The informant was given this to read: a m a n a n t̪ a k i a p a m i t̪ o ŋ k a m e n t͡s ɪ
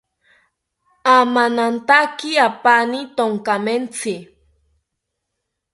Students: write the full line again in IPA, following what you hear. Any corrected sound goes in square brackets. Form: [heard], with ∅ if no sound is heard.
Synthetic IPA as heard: a m a n a n t̪ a k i a p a [n] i t̪ o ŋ k a m e n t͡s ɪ